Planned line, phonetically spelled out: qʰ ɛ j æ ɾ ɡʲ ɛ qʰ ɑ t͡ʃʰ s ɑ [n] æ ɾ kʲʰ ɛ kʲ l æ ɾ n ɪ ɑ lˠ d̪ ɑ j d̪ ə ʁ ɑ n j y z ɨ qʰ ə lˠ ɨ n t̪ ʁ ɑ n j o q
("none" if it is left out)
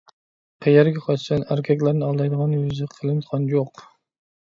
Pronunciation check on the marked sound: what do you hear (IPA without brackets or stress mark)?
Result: n